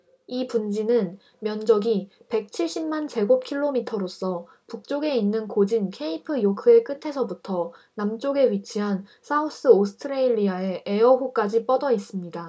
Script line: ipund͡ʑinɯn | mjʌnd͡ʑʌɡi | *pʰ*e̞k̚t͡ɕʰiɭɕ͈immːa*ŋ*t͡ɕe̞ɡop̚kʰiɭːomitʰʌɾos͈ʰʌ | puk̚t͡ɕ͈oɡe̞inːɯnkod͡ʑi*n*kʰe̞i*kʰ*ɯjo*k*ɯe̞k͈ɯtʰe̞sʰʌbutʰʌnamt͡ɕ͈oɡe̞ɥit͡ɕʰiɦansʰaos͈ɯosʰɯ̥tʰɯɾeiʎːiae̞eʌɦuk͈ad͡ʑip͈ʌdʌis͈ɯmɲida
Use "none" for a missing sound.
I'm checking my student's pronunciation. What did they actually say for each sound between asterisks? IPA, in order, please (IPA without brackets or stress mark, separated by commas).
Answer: p, n, n, pʰ, kʰ